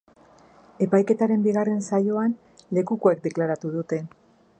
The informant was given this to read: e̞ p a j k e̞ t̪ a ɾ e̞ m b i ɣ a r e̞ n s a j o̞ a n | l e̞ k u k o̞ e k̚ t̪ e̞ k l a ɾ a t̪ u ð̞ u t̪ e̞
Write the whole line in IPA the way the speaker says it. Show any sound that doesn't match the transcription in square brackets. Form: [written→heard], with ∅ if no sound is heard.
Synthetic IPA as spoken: e̞ p a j k e̞ t̪ a ɾ e̞ m b i ɣ a r e̞ n s a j o̞ a n | l e̞ k u k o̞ e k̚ [t̪→d̪] e̞ k l a ɾ a t̪ u ð̞ u t̪ e̞